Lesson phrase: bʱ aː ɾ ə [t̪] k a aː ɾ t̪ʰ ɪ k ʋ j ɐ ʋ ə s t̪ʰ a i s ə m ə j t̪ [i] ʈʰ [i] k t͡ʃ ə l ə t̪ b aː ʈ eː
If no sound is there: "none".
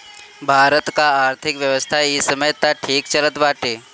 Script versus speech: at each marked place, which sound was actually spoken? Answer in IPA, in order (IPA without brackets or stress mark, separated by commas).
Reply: t̪, a, iː